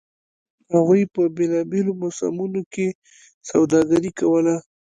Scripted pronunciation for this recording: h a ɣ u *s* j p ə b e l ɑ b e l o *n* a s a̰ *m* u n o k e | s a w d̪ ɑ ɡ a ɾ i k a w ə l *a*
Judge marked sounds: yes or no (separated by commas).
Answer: no, no, yes, yes